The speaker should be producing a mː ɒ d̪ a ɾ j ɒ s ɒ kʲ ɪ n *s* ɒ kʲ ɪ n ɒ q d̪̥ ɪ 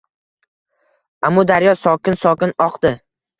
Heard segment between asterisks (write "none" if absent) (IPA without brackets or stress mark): s